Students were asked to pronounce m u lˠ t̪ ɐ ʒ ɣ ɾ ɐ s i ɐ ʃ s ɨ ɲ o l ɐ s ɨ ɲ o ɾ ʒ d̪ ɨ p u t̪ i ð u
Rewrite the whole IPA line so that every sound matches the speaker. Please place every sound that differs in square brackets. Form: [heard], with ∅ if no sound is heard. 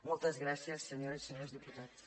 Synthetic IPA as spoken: m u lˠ t̪ ɐ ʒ ɣ ɾ [a] s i ɐ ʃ s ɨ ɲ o [ɾ] ɐ s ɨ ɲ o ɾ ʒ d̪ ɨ p u t̪ [a] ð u